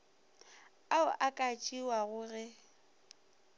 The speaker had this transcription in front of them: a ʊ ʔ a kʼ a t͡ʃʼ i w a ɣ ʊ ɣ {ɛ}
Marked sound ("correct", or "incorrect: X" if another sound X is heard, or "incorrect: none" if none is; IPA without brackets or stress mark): correct